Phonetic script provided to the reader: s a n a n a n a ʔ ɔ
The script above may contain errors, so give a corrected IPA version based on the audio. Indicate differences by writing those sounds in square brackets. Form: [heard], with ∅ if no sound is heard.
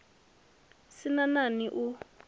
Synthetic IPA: s [i] n a n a n [i] ʔ [u]